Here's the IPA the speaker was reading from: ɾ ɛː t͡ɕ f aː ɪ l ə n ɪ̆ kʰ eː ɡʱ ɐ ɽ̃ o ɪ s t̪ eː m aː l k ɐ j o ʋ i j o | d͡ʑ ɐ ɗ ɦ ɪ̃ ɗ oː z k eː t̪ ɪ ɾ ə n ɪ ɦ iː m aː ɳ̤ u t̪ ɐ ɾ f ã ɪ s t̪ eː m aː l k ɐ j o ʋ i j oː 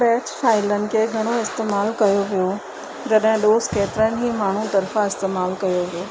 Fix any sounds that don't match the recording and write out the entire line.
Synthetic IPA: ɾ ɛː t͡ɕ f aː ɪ l ə n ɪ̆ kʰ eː ɡʱ ɐ ɽ̃ o ɪ s t̪ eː m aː l k ɐ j o ʋ i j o | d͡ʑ ɐ ɗ ɦ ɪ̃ ɗ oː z k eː t̪ ɪ ɾ ə n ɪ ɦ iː m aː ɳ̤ u t̪ ɐ ɾ f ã ɪ s t̪ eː m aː l k ɐ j o ʋ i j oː